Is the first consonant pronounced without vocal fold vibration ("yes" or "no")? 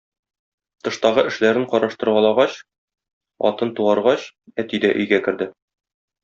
yes